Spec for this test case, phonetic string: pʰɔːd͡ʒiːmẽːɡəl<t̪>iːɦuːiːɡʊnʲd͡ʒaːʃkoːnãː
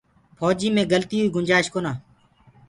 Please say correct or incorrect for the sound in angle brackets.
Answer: correct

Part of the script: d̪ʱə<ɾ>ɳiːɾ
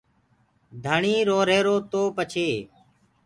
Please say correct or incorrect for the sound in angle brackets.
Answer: incorrect: none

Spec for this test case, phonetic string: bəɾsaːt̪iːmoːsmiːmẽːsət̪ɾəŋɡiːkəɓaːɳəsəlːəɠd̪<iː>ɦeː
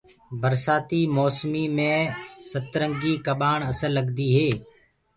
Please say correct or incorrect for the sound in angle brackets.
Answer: correct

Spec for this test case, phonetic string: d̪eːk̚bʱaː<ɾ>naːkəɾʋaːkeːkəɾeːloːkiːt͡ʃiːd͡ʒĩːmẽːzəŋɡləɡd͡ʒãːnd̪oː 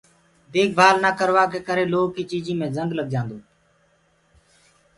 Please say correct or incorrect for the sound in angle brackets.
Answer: incorrect: l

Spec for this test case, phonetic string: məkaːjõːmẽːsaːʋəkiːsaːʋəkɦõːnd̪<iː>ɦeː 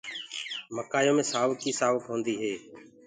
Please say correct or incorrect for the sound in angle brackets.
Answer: correct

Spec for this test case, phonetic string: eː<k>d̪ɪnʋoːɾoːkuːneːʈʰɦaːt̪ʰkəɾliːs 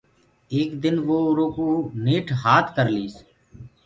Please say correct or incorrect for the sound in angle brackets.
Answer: correct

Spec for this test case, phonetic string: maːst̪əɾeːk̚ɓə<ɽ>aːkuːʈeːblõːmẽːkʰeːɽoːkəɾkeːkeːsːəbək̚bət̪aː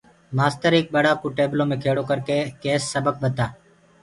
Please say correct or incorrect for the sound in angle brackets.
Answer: correct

